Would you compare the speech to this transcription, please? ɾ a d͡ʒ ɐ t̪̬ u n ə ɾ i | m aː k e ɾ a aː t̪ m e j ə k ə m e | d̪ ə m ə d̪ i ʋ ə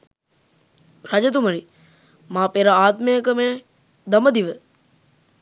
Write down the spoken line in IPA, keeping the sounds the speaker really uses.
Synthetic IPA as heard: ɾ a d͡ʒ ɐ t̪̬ u m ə ɾ i | m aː p e ɾ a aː t̪ m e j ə k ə m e | d̪ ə m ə d̪ i ʋ ə